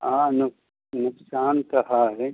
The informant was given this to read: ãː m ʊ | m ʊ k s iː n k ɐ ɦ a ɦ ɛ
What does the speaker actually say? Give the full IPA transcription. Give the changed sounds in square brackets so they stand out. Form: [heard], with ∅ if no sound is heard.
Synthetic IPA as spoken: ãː [n] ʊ | [n] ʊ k s [aː] n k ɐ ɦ a ɦ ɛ